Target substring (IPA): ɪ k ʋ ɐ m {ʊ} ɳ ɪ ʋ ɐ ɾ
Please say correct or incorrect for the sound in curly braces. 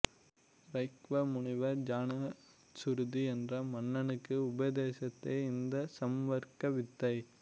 correct